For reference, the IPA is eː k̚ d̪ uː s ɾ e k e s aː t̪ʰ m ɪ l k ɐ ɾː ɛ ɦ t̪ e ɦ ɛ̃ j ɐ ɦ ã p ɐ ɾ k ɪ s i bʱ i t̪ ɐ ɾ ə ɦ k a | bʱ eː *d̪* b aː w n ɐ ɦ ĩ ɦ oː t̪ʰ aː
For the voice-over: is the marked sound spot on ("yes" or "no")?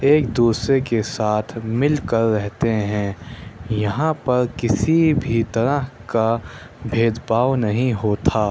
yes